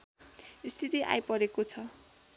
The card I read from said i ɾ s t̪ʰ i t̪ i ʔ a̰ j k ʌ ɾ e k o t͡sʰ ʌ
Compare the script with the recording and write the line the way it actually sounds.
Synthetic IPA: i s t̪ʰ i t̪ i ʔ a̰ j p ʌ ɾ e k o t͡sʰ ʌ